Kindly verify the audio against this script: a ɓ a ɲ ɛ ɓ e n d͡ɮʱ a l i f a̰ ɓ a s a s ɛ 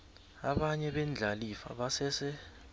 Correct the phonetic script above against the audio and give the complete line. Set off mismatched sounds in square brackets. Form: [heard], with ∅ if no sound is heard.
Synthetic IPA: a ɓ a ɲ ɛ ɓ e n d͡ɮʱ a l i f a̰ ɓ a s [ɛ] s ɛ